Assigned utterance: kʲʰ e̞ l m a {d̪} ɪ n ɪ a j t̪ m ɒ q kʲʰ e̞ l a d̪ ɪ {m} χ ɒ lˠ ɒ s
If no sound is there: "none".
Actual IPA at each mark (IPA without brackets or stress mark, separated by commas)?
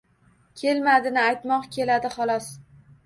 d̪, none